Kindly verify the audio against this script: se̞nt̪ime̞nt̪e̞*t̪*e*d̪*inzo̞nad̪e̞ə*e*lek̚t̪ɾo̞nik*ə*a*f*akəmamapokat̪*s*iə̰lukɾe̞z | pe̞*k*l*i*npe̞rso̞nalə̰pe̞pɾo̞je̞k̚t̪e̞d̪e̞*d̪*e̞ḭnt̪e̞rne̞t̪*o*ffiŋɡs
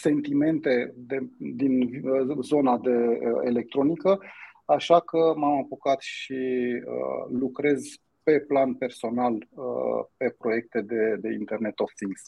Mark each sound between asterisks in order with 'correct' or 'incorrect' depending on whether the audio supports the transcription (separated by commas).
incorrect, correct, correct, correct, incorrect, incorrect, incorrect, incorrect, correct, correct